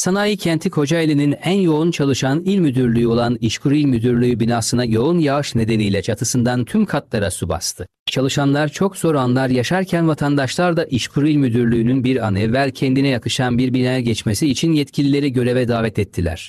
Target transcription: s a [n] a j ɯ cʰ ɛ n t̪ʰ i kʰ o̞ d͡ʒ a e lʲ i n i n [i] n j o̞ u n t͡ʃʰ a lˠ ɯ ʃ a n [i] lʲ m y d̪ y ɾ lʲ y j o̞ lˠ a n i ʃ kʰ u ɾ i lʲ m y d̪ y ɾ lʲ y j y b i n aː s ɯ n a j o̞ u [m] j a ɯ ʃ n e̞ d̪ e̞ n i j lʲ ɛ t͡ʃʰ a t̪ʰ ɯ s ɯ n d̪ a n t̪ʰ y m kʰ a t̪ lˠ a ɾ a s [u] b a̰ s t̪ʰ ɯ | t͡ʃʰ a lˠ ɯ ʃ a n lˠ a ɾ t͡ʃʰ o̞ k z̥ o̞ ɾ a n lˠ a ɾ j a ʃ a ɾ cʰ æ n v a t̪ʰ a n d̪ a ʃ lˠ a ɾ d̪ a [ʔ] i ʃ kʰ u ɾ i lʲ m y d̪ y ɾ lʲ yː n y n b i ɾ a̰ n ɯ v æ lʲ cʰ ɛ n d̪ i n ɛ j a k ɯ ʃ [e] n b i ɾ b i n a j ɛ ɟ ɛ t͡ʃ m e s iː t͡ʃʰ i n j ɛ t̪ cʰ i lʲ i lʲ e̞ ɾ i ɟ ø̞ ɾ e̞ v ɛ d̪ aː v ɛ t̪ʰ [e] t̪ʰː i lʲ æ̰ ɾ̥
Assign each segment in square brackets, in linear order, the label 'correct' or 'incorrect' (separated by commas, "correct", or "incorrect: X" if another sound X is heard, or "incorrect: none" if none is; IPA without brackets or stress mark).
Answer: correct, incorrect: æ, correct, incorrect: n, correct, correct, incorrect: a, incorrect: ɛ